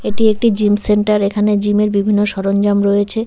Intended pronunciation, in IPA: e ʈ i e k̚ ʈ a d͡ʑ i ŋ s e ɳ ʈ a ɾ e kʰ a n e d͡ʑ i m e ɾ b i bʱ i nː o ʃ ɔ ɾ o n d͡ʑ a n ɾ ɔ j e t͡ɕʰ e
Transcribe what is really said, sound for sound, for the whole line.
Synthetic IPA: e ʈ i e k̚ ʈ i d͡ʑ i m s e ɳ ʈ a ɾ e kʰ a n e d͡ʑ i m e ɾ b i bʱ i nː o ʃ ɔ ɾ o n d͡ʑ a m ɾ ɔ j e t͡ɕʰ e

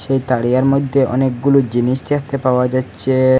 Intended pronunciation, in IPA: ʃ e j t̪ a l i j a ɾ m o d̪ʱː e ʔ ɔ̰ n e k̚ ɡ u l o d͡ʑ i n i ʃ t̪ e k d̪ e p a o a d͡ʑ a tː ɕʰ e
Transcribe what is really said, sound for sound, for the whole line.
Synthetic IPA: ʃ e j t̪ a ɽ i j a ɾ m o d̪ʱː e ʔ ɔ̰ n e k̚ ɡ u l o d͡ʑ i n i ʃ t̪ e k t̪ e p a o a d͡ʑ a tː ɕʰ e

